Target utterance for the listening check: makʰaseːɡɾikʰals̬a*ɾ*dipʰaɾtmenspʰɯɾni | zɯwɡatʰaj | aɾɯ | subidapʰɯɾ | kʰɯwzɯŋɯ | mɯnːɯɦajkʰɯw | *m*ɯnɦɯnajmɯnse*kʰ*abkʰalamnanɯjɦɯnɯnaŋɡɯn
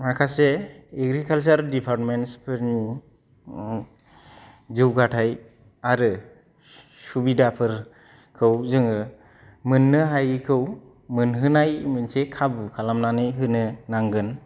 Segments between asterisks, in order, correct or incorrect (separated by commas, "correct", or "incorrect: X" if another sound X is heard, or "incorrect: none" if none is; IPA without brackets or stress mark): correct, correct, correct